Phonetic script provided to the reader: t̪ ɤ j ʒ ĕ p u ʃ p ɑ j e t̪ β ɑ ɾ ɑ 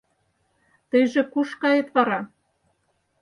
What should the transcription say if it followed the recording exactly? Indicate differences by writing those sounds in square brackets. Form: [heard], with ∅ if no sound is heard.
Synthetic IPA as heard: t̪ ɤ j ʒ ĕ [k] u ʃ [k] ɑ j e t̪ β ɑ ɾ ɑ